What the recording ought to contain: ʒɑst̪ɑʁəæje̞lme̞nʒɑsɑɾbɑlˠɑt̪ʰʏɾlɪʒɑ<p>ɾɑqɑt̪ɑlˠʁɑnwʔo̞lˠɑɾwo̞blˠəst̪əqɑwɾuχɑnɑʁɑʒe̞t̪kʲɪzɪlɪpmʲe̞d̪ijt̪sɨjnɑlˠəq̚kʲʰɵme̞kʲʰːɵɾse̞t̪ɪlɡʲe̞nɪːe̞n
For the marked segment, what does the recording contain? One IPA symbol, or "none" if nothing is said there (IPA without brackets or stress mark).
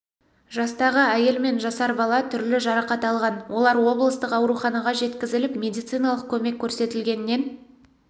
none